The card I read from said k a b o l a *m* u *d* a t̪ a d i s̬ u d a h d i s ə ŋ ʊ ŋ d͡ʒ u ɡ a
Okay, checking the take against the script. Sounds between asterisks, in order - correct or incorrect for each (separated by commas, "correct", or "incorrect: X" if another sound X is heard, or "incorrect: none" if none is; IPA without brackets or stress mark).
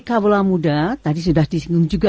correct, correct